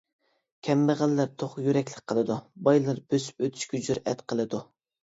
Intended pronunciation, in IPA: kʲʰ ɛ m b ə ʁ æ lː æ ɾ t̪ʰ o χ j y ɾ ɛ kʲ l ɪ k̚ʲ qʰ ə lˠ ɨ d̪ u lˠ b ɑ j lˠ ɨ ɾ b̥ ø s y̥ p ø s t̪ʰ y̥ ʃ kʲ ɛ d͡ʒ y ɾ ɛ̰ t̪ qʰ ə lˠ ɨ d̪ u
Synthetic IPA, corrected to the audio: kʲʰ ɛ m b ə ʁ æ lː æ ɾ t̪ʰ o χ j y ɾ ɛ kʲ l ɪ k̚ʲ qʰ ə lˠ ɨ d̪ u b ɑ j lˠ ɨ ɾ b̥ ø s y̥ p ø t̪ʰ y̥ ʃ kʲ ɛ d͡ʒ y ɾ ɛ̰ t̪ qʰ ə lˠ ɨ d̪ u